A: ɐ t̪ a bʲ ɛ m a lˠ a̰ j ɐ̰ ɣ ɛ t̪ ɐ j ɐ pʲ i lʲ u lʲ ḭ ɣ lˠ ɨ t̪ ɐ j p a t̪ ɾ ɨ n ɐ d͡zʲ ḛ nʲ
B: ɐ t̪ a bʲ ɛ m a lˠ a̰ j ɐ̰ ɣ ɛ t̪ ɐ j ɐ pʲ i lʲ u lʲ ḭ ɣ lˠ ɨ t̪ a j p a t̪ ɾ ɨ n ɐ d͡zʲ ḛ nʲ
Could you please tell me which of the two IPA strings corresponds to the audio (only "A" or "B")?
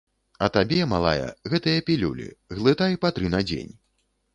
B